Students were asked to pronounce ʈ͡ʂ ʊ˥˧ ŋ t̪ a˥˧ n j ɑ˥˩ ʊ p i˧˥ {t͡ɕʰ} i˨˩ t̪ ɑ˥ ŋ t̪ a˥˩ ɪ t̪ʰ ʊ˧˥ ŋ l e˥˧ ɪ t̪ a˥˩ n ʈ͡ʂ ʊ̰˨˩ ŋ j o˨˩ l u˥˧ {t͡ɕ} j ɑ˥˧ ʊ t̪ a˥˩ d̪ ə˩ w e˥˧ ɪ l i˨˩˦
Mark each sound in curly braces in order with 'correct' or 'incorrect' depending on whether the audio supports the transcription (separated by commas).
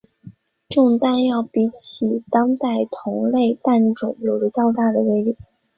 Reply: correct, correct